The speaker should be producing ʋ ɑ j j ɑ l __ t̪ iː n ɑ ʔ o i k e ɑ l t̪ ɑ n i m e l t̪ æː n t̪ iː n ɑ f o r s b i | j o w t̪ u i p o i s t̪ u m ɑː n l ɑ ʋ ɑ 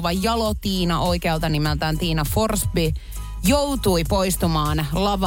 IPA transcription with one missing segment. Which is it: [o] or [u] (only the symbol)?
o